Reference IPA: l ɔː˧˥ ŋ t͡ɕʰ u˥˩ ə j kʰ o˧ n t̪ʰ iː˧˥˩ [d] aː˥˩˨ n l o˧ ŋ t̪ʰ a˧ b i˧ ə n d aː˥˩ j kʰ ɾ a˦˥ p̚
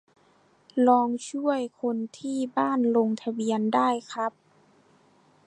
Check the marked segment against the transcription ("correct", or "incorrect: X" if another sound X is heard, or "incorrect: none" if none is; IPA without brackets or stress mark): incorrect: b